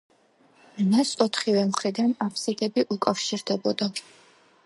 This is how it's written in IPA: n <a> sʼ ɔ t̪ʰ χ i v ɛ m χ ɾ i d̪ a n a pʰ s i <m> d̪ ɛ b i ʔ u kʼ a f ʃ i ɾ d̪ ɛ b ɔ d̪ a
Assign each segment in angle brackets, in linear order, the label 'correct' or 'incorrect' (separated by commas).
correct, incorrect